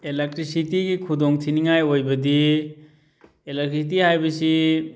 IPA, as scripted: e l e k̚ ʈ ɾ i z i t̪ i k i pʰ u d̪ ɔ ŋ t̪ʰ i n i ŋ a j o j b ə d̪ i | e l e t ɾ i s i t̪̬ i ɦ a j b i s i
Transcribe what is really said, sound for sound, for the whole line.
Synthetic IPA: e l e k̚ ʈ ɾ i s i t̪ i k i kʰ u d̪ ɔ ŋ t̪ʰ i n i ŋ a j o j b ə d̪ i | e l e k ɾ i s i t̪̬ i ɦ a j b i s i

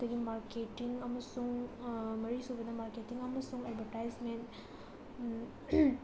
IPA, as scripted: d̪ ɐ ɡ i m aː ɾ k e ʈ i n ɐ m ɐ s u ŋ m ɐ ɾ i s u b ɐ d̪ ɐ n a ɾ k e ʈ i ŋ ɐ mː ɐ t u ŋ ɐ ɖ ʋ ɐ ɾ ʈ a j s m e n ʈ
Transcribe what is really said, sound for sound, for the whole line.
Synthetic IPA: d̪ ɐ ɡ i m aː ɾ k e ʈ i ŋ ɐ m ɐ s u ŋ m ɐ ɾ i s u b ɐ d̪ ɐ m a ɾ k e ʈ i ŋ ɐ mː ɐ s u ŋ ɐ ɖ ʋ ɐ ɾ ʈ a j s m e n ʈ

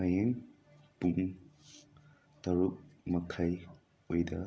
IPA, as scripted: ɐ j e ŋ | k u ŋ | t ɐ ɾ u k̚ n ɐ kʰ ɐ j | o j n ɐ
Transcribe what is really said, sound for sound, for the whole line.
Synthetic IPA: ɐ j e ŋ | p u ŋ | t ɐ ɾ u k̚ m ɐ kʰ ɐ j | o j d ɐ

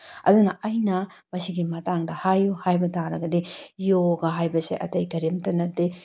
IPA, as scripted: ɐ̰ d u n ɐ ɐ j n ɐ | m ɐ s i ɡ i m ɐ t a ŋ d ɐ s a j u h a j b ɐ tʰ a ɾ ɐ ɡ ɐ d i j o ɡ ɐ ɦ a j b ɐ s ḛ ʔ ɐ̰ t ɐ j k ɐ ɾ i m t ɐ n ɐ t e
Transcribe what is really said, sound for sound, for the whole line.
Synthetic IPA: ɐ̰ d u n ɐ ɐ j n ɐ | m ɐ s i ɡ i m ɐ t a ŋ d ɐ h a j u h a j b ɐ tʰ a ɾ ɐ ɡ ɐ d i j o ɡ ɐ ɦ a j b ɐ s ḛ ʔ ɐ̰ t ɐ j k ɐ ɾ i m t ɐ n ɐ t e

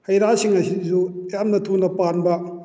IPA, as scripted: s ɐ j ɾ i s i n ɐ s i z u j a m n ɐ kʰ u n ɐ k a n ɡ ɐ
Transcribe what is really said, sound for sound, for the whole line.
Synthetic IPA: h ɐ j ɾ a s i ŋ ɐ s i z u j a m n ɐ tʰ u n ɐ p a n b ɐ

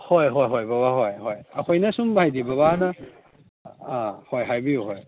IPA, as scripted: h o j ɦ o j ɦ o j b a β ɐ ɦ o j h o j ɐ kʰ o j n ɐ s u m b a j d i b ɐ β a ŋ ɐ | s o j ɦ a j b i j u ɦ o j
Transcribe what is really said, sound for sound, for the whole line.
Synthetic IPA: h o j ɦ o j ɦ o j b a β a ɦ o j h o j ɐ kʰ o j n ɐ s u m b a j d i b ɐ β a n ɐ | h o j ɦ a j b i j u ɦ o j

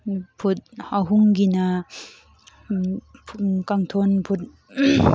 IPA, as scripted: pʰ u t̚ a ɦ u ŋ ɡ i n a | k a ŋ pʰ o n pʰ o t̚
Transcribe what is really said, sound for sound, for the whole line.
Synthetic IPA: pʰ u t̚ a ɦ u ŋ ɡ i n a | k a ŋ tʰ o n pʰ u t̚

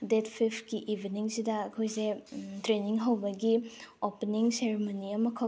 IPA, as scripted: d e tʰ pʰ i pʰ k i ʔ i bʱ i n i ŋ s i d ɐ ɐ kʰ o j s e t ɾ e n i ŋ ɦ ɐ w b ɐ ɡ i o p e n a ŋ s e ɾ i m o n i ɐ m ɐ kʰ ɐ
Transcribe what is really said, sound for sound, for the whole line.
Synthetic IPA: d e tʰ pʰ i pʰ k i ʔ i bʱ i n i ŋ s i d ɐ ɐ kʰ o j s e t ɾ e n i ŋ ɦ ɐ w b ɐ ɡ i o p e n i ŋ s e ɾ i m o n i ɐ m ɐ kʰ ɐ

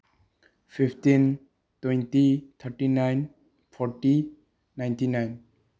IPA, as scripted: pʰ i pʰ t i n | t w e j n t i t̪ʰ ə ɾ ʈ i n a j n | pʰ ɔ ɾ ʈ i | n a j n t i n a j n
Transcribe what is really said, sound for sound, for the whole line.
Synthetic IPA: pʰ i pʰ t i n | t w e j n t i t̪ʰ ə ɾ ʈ i n a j n | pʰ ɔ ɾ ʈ i | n a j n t i n a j n

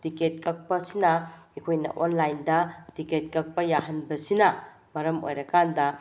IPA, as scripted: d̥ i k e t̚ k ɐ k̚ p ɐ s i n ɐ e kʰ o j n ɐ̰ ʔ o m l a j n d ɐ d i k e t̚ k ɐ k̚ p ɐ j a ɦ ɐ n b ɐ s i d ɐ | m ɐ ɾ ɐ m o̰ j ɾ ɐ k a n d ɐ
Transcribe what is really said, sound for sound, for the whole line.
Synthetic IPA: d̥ i k e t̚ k ɐ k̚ p ɐ s i n ɐ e kʰ o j n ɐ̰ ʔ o n l a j n d ɐ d i k e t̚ k ɐ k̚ p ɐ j a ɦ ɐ n b ɐ s i n ɐ | m ɐ ɾ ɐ m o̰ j ɾ ɐ k a n d ɐ

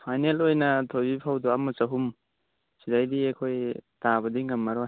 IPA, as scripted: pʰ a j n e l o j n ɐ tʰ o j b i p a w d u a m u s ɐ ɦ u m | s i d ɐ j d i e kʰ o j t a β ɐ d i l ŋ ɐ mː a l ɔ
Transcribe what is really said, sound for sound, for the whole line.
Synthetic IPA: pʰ a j n e l o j n ɐ tʰ o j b i pʰ a w d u a m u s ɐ ɦ u m | s i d a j d i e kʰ o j t a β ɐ d i ŋ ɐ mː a ɾ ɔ

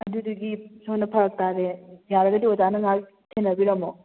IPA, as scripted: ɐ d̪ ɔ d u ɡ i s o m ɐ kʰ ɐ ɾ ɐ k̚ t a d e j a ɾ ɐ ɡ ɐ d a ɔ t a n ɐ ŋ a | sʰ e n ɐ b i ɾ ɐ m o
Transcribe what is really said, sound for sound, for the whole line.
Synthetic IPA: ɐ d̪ u d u ɡ i s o n ɐ pʰ ɐ ɾ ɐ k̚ t a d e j a ɾ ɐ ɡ ɐ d i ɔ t a n ɐ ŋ a | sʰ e n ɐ b i ɾ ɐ m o

